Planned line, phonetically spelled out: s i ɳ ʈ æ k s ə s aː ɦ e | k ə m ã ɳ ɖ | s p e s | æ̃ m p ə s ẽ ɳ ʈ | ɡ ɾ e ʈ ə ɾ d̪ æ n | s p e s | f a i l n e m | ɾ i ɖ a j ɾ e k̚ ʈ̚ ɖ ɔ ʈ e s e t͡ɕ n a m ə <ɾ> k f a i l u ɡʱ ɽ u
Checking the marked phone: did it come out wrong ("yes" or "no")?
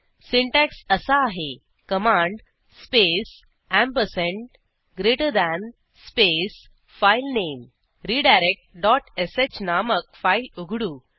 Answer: yes